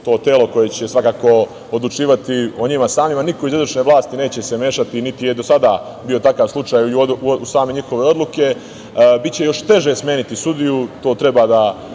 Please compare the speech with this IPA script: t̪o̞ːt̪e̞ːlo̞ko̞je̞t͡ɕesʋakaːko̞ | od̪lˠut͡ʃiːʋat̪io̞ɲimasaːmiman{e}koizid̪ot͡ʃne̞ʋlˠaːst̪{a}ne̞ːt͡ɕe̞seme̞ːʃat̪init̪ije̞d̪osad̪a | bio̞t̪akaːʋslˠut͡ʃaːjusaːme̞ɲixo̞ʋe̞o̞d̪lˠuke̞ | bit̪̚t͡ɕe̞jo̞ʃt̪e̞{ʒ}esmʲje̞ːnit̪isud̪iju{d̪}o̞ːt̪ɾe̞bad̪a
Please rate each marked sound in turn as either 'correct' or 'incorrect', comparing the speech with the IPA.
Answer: incorrect, incorrect, correct, incorrect

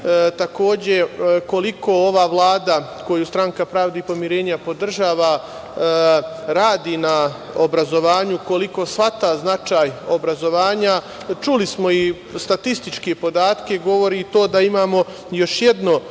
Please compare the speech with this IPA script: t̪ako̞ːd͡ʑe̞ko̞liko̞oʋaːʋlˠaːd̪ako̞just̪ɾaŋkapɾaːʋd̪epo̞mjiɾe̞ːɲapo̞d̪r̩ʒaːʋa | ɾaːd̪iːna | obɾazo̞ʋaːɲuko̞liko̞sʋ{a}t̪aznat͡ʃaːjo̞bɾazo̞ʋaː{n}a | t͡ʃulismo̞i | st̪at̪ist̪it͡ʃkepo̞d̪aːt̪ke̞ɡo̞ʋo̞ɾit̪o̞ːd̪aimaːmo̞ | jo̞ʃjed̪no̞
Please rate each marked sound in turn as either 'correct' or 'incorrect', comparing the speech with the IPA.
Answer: correct, incorrect

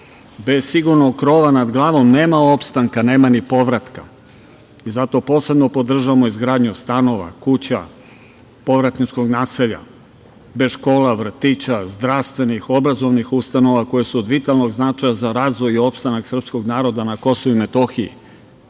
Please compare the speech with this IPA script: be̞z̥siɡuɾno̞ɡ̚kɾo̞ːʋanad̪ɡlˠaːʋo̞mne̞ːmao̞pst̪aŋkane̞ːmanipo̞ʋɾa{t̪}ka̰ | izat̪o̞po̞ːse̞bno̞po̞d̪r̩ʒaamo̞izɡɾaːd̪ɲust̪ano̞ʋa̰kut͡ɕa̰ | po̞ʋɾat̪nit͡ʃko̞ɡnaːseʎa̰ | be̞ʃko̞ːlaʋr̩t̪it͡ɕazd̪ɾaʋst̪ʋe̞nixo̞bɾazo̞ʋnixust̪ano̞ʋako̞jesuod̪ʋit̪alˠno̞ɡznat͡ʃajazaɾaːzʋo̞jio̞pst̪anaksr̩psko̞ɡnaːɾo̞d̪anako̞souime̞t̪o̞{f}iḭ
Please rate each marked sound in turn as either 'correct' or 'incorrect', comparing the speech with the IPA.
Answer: correct, incorrect

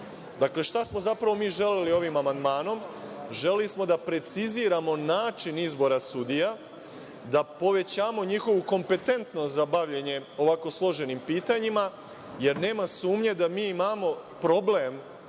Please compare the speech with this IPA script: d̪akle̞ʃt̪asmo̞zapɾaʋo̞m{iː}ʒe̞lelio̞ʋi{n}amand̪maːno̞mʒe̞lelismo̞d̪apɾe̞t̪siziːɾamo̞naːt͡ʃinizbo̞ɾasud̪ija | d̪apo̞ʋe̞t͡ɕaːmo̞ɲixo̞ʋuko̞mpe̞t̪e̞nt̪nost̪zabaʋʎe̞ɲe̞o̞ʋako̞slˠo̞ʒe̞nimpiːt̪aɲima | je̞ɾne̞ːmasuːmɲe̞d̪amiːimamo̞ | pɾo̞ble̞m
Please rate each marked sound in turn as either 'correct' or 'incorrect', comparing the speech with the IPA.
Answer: correct, incorrect

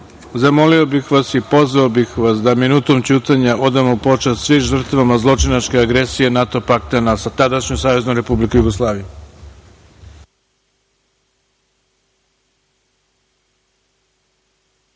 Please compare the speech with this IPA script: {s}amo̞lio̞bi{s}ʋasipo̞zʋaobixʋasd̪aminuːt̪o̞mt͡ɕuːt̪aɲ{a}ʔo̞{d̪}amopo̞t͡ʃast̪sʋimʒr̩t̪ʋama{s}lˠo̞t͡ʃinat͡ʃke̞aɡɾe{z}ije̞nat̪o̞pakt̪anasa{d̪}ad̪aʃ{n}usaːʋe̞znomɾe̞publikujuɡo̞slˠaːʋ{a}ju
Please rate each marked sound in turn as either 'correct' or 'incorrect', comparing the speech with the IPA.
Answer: incorrect, incorrect, correct, correct, incorrect, incorrect, incorrect, incorrect, incorrect

